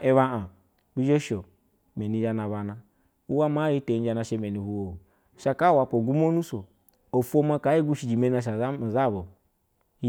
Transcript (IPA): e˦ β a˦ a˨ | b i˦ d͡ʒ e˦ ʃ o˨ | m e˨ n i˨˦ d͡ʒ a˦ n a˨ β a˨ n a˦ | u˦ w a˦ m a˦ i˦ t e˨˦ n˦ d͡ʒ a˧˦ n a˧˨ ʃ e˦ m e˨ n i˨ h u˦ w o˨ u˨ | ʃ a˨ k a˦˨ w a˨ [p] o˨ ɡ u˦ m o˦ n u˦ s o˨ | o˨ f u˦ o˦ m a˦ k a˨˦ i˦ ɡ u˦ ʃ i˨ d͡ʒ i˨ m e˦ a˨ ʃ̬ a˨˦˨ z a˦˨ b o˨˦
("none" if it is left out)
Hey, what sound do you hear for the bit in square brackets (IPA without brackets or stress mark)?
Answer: p